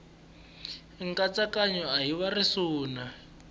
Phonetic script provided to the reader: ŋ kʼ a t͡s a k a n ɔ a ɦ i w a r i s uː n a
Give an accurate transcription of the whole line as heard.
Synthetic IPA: ŋ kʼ a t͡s a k a ɲ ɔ a ɦ i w a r i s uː n a